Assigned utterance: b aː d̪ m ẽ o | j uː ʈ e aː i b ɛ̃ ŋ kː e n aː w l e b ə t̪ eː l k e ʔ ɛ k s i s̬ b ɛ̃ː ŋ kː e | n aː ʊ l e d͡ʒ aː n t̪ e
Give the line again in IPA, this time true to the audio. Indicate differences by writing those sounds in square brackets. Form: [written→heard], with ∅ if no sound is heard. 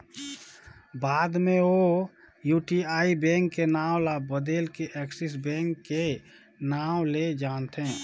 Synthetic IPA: b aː d̪ m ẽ o | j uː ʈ [e→i] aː i b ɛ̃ ŋ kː e n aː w l [e→a] b ə [t̪→d̪] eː l k e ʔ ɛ k s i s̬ b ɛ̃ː ŋ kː e | n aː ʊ l e d͡ʒ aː n t̪ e